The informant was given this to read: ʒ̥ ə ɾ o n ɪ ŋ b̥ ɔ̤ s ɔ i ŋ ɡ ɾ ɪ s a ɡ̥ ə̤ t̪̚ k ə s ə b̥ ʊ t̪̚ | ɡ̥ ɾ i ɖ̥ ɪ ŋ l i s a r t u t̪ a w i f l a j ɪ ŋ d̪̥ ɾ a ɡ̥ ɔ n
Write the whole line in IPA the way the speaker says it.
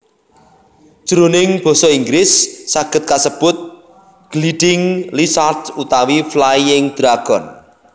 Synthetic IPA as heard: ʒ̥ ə ɾ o n ɪ ŋ b̥ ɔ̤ s ɔ i ŋ ɡ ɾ ɪ sː a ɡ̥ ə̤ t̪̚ k a s ə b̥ ʊ t̪̚ | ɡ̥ l i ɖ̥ ɪ ŋ l i s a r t u t̪ a w i f l a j ɪ ŋ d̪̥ ɾ a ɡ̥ ɔ n